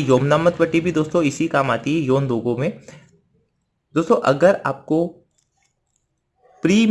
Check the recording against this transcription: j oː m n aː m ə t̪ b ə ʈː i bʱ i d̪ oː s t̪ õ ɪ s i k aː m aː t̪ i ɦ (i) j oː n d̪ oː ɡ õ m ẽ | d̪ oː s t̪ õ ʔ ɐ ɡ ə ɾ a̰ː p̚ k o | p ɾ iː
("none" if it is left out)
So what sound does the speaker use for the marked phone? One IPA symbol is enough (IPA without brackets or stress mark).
ɛ